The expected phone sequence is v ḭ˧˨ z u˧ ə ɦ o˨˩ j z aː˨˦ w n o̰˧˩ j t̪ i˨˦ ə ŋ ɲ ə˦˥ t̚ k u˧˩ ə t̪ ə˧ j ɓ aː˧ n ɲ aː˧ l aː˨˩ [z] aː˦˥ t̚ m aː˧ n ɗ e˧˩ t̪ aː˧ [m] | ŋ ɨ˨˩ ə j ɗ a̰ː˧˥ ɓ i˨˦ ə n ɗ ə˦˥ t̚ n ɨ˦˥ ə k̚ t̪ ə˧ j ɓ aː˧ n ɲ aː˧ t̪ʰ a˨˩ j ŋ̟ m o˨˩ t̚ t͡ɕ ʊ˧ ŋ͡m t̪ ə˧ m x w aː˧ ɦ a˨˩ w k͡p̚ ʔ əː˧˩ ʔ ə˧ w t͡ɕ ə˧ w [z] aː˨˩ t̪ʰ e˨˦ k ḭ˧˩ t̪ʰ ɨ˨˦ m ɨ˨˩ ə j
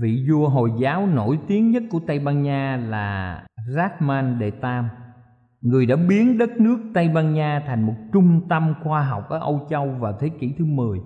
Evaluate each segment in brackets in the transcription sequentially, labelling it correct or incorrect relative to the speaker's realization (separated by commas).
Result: correct, correct, incorrect